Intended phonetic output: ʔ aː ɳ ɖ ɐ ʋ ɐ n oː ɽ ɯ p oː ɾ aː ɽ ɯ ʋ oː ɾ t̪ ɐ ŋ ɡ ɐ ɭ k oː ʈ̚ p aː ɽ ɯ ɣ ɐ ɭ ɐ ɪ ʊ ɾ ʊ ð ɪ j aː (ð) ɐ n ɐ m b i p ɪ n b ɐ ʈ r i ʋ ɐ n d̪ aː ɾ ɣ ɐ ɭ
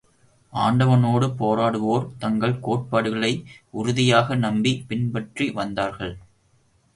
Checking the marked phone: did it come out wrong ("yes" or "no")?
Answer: yes